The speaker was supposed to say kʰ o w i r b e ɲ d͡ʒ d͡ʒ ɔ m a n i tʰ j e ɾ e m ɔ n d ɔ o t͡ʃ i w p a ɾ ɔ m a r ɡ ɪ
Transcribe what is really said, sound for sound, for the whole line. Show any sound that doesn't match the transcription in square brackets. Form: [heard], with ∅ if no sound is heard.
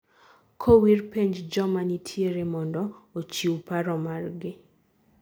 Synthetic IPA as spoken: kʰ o w i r [p] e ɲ d͡ʒ d͡ʒ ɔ m a n i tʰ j e ɾ e m ɔ n d ɔ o t͡ʃ i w p a ɾ ɔ m a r ɡ ɪ